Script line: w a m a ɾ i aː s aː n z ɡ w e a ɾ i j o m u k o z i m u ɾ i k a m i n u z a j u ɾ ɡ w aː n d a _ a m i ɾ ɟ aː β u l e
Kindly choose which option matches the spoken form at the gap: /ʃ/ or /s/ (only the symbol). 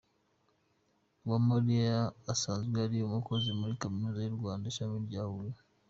ʃ